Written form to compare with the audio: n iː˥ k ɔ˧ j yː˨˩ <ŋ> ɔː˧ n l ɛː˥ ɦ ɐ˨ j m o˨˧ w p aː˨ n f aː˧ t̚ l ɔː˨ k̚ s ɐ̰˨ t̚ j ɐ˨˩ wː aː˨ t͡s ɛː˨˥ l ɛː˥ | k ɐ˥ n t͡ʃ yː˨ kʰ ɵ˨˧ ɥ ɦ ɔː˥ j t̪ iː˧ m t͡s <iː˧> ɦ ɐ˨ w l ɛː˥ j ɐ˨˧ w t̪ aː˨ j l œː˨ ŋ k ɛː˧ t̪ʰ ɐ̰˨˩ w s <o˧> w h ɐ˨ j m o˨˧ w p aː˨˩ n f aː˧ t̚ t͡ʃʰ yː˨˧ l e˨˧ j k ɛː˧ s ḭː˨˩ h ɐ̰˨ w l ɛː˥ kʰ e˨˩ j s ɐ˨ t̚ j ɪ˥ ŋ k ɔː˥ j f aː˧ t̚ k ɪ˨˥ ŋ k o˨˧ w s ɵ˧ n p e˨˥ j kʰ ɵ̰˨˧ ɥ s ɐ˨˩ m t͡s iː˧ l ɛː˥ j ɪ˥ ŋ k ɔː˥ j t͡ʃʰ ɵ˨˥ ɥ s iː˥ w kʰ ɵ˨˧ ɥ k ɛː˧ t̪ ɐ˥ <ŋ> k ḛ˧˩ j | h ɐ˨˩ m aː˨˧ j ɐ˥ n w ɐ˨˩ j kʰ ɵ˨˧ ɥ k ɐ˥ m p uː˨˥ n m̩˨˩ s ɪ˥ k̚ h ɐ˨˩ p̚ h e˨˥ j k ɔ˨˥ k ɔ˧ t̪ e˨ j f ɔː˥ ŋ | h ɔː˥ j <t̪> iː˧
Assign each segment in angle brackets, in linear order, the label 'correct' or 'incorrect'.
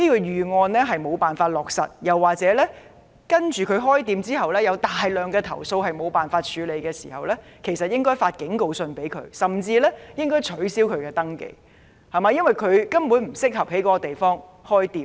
correct, incorrect, correct, correct, correct

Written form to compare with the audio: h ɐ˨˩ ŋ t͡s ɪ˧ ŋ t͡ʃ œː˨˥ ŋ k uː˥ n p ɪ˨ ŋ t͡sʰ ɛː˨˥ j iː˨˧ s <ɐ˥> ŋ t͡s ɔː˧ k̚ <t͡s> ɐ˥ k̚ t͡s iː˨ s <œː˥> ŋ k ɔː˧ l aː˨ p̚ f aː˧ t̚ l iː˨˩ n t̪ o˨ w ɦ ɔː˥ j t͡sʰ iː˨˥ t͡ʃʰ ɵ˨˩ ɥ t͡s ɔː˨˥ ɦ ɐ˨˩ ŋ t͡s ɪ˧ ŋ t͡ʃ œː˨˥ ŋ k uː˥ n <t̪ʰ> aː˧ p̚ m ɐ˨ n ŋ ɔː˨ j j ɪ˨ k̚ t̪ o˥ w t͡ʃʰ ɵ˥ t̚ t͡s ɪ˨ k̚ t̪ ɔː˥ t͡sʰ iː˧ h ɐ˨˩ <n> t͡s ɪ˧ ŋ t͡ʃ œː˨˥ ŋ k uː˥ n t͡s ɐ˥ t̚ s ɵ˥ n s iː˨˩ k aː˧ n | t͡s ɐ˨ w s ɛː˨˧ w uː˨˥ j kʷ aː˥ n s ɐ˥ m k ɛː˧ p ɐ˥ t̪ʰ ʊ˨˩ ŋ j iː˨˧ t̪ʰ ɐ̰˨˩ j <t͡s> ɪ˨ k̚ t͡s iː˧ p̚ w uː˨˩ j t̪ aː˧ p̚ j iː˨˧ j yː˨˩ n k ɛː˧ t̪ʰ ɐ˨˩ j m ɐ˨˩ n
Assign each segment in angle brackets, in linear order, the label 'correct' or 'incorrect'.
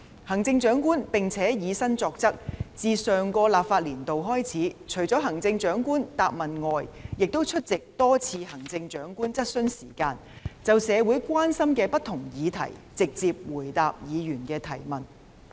correct, correct, incorrect, incorrect, incorrect, correct

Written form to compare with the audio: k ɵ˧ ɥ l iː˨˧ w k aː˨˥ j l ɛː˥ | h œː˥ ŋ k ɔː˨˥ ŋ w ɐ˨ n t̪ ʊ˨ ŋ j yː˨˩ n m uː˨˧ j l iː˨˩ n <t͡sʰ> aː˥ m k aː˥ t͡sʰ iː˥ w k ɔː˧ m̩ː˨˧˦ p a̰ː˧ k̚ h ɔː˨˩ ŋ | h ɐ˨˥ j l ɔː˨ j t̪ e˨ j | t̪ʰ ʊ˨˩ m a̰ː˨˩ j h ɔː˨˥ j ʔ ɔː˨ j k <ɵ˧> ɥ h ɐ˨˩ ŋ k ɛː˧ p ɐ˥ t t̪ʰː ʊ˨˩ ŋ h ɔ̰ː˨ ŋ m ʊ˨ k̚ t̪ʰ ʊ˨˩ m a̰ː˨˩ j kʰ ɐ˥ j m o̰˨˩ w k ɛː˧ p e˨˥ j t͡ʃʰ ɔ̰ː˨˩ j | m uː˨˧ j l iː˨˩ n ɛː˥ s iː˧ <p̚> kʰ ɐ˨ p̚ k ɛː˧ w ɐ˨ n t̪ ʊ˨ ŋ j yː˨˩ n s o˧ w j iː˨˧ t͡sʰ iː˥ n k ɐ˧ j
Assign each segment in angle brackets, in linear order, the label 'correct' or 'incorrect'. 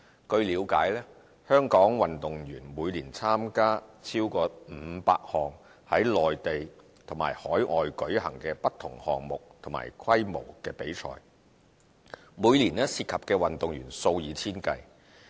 correct, incorrect, incorrect

